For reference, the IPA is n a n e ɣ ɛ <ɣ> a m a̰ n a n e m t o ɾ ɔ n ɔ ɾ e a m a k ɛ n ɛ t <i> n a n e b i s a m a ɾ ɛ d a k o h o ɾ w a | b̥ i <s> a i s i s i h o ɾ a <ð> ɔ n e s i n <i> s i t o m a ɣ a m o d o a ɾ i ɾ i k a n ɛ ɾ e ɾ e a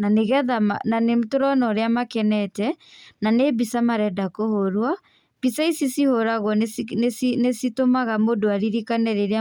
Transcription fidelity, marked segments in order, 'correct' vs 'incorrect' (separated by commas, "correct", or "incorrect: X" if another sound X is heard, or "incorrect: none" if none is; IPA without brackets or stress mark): incorrect: ð, incorrect: ɛ, correct, incorrect: ɣ, incorrect: e